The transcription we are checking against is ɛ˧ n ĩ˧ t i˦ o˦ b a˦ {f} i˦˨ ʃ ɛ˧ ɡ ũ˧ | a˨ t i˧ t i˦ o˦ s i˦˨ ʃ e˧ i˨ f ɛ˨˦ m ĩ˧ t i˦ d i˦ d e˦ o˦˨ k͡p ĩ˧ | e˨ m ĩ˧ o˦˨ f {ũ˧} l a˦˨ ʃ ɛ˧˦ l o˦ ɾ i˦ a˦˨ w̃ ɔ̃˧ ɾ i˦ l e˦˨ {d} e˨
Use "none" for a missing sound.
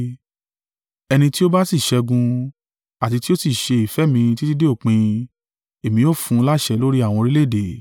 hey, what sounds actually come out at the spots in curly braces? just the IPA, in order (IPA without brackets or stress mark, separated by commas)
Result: s, ũ˧, d